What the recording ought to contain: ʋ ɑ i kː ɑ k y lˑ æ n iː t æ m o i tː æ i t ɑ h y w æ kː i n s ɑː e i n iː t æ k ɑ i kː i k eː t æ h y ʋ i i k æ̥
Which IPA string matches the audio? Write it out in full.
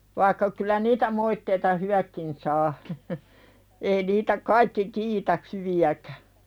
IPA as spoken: ʋ ɑ i kː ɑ k y lˑ æ n iː t æ m o i tː e i t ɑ h y w æ kː i n s ɑː e i n iː t æ k ɑ i kː i k iː t æ h y ʋ i æ k æ̥